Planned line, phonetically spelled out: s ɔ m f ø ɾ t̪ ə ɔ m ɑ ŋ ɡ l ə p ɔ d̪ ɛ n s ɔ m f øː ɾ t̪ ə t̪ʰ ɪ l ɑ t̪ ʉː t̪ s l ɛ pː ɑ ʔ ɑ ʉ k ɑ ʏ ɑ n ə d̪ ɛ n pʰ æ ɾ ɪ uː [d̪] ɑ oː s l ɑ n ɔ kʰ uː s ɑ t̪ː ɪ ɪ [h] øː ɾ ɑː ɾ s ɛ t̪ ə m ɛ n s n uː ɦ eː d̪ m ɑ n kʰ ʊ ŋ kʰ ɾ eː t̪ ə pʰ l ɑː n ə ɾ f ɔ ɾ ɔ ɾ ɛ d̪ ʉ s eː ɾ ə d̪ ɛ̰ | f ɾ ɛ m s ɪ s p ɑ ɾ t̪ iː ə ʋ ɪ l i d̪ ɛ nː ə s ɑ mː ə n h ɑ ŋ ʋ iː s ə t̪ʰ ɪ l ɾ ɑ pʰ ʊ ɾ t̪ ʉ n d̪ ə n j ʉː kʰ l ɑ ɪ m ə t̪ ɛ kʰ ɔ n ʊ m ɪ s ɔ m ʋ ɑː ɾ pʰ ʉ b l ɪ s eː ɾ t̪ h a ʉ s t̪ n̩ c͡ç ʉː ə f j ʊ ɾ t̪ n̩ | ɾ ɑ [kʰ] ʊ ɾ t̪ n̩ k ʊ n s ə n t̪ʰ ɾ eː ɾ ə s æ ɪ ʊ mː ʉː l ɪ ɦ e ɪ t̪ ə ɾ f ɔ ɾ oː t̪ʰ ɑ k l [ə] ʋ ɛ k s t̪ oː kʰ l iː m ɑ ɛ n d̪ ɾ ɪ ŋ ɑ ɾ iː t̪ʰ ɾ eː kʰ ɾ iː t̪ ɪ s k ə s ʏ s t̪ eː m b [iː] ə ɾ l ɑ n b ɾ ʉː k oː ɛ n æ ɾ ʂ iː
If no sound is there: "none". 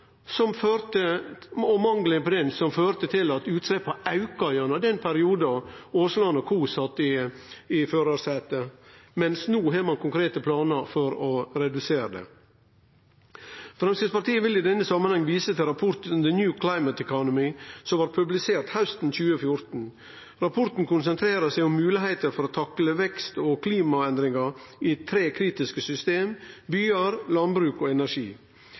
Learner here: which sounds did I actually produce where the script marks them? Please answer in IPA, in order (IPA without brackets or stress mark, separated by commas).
d̪, f, pʰ, ə, yː